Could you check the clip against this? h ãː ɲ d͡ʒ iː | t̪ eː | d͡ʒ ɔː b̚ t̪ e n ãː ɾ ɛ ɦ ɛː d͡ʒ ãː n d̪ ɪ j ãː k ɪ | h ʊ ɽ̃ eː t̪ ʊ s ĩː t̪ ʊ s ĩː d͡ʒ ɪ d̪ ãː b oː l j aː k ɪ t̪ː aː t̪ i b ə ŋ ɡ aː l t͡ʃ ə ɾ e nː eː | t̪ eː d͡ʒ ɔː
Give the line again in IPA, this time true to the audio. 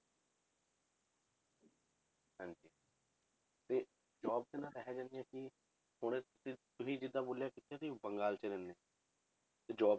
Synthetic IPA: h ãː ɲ d͡ʒ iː | t̪ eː | d͡ʒ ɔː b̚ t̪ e n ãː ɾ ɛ ɦ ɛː d͡ʒ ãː n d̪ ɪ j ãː k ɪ | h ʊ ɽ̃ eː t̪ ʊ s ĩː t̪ ʊ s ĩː d͡ʒ ɪ d̪ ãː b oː l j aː k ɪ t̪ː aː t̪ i b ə ŋ ɡ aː l t͡ʃ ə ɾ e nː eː | t̪ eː d͡ʒ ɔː